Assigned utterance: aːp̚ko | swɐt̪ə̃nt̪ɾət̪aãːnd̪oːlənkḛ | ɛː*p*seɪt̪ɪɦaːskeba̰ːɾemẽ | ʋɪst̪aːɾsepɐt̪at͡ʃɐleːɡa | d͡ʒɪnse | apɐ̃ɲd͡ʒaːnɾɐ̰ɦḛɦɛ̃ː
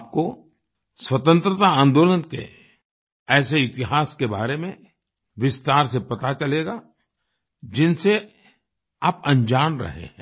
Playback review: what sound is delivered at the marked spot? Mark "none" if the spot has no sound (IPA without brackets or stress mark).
none